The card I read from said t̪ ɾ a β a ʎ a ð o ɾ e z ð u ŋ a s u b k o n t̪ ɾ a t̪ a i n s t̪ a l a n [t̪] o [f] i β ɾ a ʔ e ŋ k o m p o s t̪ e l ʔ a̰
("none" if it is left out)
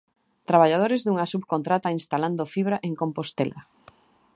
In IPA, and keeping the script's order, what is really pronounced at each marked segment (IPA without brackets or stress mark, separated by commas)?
d̪, f